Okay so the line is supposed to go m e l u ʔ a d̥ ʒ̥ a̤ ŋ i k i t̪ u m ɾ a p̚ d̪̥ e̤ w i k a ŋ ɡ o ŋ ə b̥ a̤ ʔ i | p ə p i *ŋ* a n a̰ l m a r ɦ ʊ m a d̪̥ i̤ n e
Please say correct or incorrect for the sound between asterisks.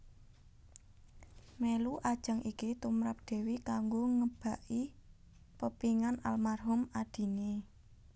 correct